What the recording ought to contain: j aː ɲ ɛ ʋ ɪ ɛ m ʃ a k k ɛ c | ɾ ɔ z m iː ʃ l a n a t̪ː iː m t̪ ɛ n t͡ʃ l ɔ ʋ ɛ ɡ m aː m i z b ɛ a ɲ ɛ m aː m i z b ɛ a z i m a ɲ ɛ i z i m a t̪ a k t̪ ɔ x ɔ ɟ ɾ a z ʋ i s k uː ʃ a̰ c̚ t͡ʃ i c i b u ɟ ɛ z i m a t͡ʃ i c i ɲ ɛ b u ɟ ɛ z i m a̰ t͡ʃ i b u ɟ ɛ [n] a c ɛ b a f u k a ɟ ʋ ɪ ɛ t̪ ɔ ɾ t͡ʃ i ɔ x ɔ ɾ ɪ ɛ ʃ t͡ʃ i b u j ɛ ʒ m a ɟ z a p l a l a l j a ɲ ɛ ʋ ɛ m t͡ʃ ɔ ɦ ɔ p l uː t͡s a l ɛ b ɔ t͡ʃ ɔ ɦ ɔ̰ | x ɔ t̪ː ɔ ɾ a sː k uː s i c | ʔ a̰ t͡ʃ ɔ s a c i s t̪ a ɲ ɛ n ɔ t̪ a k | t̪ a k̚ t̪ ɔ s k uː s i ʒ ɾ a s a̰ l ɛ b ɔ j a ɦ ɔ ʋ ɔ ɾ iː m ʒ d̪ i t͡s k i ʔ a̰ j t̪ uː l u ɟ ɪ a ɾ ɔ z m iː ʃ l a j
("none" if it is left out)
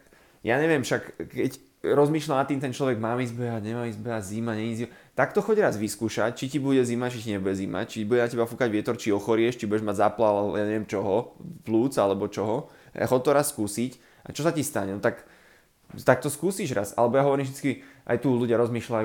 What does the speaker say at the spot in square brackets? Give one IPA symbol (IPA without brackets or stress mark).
n